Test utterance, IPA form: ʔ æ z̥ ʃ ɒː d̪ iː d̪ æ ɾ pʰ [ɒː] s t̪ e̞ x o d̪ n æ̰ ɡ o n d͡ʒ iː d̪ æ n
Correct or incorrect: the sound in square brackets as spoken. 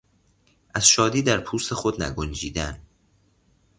incorrect: uː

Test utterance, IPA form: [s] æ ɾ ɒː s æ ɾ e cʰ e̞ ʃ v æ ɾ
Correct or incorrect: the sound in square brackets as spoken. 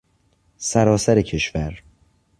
correct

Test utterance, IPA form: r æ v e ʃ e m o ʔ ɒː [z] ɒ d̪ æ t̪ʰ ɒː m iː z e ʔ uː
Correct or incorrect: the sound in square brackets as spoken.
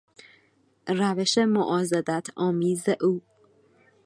correct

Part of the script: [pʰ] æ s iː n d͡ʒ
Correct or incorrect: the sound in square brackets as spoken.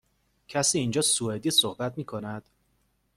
incorrect: cʰ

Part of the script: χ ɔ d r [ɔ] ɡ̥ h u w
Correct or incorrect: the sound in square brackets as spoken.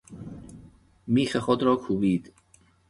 correct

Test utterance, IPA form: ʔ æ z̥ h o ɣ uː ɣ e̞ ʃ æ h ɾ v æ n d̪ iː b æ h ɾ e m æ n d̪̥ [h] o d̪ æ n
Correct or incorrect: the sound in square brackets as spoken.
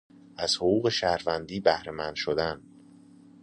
incorrect: ʃ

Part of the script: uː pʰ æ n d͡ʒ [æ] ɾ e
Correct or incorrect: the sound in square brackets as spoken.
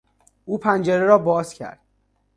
incorrect: e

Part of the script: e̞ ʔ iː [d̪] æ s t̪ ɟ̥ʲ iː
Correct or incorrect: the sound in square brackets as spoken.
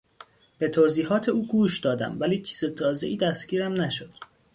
correct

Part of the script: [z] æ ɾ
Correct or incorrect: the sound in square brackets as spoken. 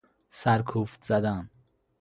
incorrect: s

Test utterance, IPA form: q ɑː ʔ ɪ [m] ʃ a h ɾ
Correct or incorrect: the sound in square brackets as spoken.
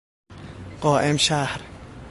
correct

